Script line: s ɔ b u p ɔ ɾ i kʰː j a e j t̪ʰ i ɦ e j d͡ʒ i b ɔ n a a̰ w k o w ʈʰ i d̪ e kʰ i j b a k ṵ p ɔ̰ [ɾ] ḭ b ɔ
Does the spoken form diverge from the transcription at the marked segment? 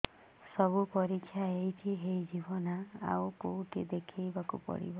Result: yes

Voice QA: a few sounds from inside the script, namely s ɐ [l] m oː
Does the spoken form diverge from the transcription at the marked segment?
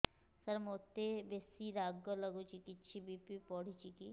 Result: yes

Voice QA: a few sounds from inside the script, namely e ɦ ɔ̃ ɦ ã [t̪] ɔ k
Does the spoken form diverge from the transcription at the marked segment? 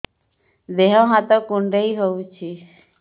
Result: no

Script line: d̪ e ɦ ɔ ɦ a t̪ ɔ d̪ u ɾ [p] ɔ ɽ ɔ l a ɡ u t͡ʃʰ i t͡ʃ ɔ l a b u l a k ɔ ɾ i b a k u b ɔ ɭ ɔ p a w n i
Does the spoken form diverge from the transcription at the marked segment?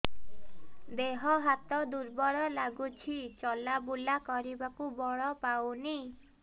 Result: yes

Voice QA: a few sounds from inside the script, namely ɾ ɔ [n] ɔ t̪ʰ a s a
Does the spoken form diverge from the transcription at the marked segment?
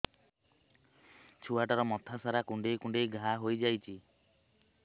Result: yes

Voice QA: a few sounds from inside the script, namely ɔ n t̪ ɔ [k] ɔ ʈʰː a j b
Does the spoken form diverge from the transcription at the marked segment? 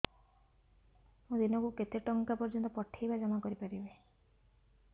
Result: yes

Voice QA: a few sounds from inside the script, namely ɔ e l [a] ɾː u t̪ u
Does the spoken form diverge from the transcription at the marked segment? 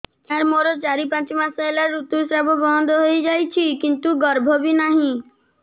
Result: no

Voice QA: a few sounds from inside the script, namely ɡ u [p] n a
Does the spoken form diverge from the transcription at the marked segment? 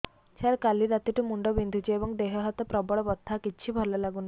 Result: yes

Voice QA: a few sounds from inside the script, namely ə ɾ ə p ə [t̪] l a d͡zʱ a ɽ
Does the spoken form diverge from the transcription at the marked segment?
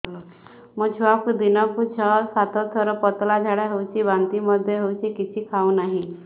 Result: no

